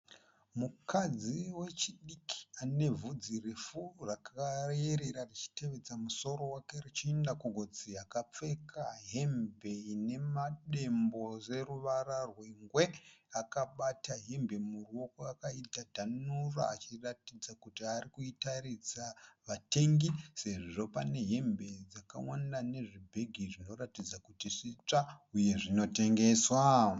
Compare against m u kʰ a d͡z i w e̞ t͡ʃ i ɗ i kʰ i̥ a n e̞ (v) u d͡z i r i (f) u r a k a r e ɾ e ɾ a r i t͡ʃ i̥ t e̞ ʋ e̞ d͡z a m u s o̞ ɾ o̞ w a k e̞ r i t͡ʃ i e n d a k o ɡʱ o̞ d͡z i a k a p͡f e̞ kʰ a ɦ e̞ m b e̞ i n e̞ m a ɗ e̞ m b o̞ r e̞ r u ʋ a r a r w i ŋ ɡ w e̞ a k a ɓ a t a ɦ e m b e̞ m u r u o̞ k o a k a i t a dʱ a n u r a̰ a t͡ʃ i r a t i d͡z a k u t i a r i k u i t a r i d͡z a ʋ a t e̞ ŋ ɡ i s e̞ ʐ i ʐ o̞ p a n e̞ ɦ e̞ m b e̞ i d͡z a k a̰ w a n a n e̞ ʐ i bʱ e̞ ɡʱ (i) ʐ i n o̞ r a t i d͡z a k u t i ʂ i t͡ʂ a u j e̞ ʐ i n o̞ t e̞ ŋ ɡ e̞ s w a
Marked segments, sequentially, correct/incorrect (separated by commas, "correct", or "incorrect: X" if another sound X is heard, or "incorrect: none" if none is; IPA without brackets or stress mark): correct, correct, correct